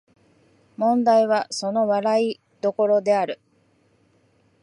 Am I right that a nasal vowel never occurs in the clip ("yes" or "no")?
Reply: no